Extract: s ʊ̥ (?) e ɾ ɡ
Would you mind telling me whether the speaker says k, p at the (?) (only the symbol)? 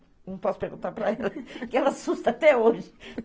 p